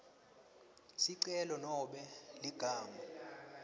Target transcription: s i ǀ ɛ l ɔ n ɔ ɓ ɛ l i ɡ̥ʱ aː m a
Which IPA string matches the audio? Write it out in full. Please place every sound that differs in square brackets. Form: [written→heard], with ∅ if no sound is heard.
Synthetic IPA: s i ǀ ɛ l ɔ n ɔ ɓ ɛ l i ɡ̥ʱ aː m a